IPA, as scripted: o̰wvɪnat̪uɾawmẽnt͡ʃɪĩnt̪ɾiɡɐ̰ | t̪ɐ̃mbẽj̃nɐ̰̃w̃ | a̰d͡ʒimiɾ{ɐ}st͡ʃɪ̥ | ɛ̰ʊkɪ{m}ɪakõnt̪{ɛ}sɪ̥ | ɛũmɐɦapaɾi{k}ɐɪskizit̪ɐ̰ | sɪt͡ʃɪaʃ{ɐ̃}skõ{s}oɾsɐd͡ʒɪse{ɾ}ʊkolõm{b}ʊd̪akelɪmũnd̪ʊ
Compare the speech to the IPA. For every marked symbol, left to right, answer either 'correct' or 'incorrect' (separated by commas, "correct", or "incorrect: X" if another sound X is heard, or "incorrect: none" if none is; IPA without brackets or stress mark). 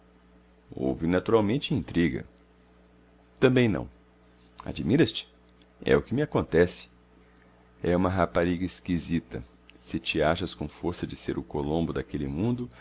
correct, correct, correct, incorrect: ɡ, incorrect: ɐ, incorrect: f, correct, correct